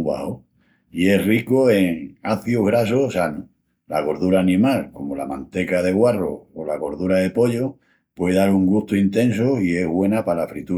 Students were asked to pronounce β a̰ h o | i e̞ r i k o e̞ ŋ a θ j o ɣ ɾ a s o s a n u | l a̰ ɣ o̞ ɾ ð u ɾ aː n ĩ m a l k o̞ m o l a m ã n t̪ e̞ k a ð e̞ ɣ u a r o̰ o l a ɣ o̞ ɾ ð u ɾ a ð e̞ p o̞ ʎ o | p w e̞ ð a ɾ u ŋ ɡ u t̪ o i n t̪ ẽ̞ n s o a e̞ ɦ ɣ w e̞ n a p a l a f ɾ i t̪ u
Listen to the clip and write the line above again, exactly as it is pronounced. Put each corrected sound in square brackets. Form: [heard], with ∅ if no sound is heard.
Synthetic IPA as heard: β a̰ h o | i e̞ r i k o e̞ ŋ a θ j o ɣ ɾ a s o s a n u | l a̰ ɣ o̞ ɾ ð u ɾ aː n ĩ m a l k o̞ m o l a m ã n t̪ e̞ k a ð e̞ ɣ [w] a r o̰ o l a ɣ o̞ ɾ ð u ɾ a ð e̞ p o̞ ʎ o | p w e̞ ð a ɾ u ŋ ɡ u t̪ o i n t̪ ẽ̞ n s o [i] e̞ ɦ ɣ w e̞ n a p a l a f ɾ i t̪ u